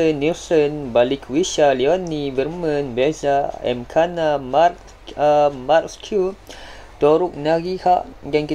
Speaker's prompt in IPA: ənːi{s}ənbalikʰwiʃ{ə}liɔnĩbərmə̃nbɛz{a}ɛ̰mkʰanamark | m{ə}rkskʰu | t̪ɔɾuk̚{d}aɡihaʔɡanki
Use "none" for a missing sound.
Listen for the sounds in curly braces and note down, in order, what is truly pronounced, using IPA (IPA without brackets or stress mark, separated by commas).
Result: s, a, a, a, n